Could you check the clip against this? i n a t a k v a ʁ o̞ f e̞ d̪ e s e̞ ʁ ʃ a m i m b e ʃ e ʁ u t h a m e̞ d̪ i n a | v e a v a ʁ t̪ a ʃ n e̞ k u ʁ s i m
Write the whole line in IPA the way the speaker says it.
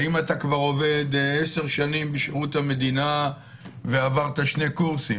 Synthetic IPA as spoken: i m a t a k v a ʁ o̞ v e̞ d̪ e s e̞ ʁ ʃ a n i m b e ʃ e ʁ u t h a m e̞ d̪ i n a | v e a v a ʁ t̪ a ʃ n e̞ k u ʁ s i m